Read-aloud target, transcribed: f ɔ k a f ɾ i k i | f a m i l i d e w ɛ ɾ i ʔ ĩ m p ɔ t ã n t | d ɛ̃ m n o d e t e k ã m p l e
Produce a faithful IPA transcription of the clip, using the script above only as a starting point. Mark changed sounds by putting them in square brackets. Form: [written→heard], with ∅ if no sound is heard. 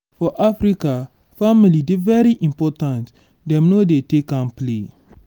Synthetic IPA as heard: f ɔ [k→ʔ] a f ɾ i k [i→a] | f a m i l i d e [w→v] ɛ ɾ i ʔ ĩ m p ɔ t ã n t | d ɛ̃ m n o d e t e k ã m p l e